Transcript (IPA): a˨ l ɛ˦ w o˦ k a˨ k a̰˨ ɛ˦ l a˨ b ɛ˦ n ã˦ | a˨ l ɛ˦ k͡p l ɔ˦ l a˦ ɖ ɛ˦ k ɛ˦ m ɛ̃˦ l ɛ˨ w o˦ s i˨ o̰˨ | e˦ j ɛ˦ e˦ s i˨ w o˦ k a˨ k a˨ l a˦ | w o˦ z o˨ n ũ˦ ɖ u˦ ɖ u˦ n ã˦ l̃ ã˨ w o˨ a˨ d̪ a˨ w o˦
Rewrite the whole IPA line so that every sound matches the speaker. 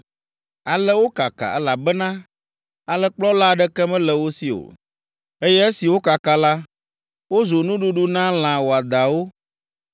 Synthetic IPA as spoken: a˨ l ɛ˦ w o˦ k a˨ k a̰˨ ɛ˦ l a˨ b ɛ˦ n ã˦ | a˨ l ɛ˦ k͡p l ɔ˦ l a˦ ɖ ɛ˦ k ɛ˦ m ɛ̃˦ l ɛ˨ w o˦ s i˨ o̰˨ | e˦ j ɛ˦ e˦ s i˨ w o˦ k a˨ k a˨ l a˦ | w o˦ z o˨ n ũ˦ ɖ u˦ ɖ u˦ n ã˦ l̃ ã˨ w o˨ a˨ d̪ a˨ w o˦